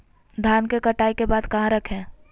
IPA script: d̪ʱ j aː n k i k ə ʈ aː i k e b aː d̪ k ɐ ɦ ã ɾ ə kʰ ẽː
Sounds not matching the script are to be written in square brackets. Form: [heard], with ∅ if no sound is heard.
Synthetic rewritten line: d̪ʱ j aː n k [e] k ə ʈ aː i k e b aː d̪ k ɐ ɦ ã ɾ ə kʰ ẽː